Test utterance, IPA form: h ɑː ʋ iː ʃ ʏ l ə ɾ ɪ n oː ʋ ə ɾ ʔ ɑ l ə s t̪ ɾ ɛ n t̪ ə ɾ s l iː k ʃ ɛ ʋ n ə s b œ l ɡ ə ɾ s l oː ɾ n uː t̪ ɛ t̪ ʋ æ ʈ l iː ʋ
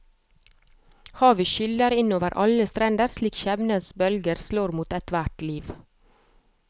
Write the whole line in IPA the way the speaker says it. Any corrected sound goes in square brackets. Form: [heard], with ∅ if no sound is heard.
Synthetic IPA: h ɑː ʋ iː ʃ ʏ l ə ɾ ɪ n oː ʋ ə ɾ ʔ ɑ l ə s t̪ ɾ ɛ n [d̪] ə ɾ s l iː k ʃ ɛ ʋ n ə s b œ l ɡ ə ɾ s l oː ɾ [m] uː t̪ ɛ t̪ ʋ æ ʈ l iː ʋ